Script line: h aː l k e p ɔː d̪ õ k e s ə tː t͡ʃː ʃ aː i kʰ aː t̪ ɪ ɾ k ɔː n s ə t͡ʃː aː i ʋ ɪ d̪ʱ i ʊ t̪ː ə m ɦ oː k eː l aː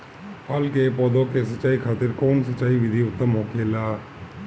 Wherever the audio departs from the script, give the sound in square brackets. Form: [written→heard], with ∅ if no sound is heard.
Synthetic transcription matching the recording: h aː l k e p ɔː d̪ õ k e s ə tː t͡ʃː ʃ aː i kʰ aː t̪ ɪ ɾ k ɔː n s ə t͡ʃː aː i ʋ ɪ d̪ʱ i ʊ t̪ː ə m ɦ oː k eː l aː